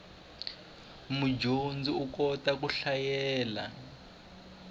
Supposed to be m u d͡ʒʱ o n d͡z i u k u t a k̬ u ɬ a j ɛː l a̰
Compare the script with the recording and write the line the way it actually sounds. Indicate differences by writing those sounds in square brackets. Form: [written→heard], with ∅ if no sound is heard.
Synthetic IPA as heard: m u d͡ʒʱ o n d͡z i u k [u→ɔ] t a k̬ u ɬ a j ɛː l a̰